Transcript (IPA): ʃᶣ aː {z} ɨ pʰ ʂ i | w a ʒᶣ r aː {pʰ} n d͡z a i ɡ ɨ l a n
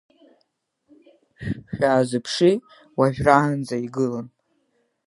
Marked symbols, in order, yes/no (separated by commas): yes, no